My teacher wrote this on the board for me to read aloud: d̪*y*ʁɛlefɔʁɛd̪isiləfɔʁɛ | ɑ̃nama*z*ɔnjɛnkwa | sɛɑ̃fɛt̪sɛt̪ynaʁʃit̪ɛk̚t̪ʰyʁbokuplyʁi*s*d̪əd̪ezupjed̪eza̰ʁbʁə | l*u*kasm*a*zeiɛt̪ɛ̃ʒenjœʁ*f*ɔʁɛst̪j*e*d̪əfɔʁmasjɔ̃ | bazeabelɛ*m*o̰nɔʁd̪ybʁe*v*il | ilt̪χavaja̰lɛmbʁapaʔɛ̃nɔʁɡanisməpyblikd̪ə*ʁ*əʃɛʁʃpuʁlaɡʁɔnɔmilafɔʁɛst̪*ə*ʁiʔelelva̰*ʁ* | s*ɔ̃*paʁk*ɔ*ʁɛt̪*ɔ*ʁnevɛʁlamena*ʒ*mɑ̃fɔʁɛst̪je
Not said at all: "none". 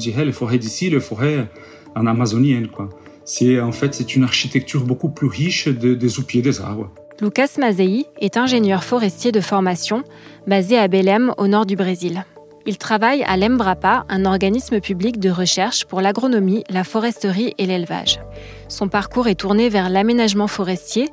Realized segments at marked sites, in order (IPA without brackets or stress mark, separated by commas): i, z, ʃ, u, a, f, e, m, z, ʁ, ə, ʒ, ɔ̃, u, u, ʒ